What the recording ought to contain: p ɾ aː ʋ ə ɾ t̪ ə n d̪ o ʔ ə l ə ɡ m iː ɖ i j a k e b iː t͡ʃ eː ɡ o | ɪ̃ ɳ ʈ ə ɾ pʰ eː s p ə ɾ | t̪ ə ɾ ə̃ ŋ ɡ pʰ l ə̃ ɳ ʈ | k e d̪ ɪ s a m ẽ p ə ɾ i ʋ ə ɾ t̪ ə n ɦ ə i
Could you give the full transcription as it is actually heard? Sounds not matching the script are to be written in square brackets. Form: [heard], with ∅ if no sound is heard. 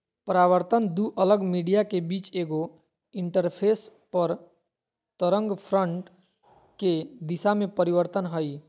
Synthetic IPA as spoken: p ɾ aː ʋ ə ɾ t̪ ə n d̪ [u] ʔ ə l ə ɡ m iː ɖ i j a k e b iː t͡ʃ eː ɡ o | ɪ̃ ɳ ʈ ə ɾ pʰ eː s p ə ɾ | t̪ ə ɾ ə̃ ŋ ɡ pʰ [ɾ] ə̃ ɳ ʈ | k e d̪ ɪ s a m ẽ p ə ɾ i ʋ ə ɾ t̪ ə n ɦ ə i